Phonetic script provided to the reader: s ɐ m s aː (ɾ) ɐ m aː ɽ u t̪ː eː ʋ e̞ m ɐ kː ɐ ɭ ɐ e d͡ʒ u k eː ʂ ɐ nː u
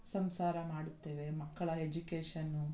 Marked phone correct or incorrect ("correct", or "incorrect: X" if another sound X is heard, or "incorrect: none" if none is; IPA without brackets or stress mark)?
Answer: correct